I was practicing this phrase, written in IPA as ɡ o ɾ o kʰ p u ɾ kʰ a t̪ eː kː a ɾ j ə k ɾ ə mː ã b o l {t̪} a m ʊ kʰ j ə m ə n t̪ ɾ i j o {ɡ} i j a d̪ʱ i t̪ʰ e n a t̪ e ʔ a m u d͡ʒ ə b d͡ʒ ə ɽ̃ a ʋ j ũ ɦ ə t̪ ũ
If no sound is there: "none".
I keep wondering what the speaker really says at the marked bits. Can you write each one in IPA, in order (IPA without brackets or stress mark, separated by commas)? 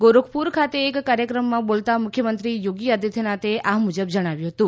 t̪, ɡ